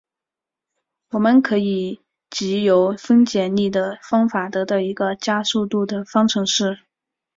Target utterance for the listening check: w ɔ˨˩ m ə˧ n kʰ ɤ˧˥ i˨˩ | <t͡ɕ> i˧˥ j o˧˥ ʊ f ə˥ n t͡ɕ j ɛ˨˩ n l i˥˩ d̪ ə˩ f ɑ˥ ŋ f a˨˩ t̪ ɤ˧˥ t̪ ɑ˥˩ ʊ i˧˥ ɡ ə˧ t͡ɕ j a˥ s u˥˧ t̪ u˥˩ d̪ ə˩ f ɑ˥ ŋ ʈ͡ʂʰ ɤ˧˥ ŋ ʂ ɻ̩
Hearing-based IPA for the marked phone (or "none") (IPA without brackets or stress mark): t͡ɕ